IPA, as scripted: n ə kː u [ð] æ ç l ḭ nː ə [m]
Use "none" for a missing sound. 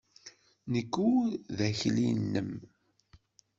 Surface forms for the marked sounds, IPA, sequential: ð, m

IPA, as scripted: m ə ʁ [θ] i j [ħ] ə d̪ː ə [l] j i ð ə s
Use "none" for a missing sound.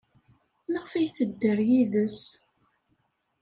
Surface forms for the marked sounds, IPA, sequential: f, θ, ɾ

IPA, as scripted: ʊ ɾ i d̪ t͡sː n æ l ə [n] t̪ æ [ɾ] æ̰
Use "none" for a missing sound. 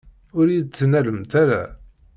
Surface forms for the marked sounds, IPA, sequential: m, ɾ

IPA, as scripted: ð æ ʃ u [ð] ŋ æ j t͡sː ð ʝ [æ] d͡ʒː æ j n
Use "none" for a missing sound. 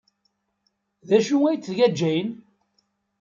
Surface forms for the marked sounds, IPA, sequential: none, æ

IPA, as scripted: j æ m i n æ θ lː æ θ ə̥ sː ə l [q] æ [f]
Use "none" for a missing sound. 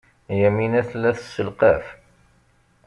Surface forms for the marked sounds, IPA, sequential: q, f

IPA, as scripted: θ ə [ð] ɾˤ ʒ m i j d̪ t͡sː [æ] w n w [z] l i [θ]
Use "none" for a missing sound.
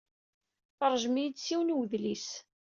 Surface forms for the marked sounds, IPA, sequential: none, i, ð, s

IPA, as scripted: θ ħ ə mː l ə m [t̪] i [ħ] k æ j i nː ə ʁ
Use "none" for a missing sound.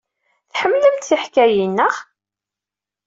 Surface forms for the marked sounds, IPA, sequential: t̪, ħ

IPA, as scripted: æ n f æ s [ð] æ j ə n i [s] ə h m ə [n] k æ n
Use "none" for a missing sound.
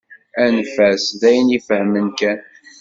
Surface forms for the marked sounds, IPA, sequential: ð, f, n

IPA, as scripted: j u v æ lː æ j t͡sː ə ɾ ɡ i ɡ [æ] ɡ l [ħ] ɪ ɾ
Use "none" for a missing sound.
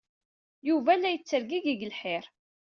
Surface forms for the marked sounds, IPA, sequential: i, ħ

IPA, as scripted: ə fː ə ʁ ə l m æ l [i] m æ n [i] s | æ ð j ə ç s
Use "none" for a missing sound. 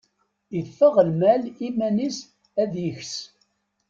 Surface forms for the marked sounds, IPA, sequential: i, i

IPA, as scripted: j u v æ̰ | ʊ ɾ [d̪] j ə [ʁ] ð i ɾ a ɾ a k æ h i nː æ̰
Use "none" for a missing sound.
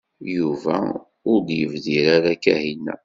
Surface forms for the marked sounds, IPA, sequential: d̪, v

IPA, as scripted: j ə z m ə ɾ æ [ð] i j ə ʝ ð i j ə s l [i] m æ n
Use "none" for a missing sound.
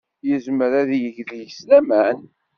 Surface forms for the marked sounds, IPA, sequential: ð, æ

